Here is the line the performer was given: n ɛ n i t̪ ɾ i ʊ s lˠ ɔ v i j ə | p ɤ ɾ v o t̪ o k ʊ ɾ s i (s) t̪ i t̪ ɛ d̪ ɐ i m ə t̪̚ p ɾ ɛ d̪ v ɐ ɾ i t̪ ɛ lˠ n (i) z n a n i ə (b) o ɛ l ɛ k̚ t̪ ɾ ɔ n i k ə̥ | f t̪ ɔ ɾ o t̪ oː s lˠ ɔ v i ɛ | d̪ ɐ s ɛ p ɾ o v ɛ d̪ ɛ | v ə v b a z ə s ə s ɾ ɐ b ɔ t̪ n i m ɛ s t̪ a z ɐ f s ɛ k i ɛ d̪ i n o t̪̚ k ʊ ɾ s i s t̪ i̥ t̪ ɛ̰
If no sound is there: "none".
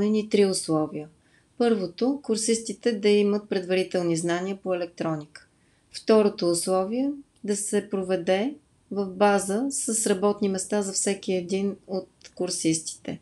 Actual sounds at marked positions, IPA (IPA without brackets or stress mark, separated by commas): s, i, p